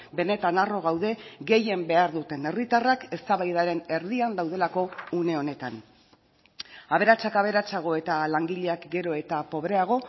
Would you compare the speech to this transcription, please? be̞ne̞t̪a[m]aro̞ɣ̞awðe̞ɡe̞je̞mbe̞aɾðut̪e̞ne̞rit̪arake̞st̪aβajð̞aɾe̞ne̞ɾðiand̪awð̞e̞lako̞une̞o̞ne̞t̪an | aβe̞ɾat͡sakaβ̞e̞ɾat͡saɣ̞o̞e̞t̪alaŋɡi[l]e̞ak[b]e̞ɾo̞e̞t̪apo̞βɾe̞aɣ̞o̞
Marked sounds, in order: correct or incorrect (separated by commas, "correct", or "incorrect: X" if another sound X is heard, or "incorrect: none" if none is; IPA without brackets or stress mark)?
incorrect: n, incorrect: ʎ, incorrect: ɡ